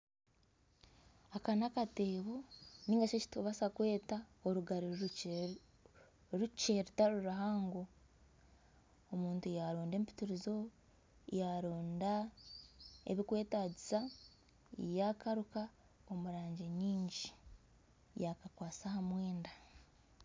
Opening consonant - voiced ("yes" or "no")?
no